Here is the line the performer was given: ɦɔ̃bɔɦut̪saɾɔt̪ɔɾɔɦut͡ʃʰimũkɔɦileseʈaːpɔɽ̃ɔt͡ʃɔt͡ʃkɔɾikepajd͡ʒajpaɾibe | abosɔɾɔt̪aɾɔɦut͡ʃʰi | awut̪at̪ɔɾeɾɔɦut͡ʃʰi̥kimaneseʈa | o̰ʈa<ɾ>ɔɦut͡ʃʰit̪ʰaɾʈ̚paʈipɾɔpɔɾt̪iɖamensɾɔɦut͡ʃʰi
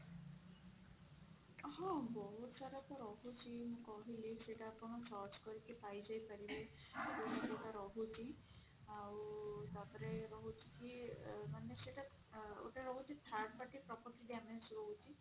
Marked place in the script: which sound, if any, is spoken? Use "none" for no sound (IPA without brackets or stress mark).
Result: ɾ